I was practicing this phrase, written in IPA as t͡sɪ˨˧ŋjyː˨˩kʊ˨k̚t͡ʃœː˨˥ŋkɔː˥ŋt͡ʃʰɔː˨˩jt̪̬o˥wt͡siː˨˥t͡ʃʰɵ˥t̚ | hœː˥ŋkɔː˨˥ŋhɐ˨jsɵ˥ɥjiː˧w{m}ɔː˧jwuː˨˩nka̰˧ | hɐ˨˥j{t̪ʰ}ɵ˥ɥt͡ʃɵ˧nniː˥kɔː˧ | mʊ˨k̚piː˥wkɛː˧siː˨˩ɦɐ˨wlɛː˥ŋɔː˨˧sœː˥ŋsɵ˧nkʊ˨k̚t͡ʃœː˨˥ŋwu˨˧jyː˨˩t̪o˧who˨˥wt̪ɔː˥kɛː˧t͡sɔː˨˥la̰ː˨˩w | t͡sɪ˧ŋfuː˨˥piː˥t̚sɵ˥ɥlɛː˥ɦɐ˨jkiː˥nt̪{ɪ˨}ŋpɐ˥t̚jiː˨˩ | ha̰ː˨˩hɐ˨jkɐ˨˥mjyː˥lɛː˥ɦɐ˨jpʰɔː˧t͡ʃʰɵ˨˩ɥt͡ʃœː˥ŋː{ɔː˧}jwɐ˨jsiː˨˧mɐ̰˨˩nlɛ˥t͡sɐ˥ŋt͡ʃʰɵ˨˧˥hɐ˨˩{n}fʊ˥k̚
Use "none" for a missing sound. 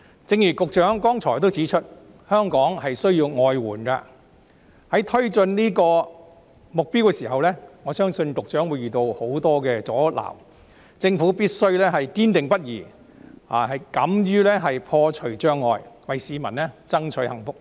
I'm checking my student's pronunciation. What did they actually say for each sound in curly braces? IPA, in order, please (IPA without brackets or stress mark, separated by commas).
ŋ, t̪ʰ, ɪ˨, ɔː˧, ŋ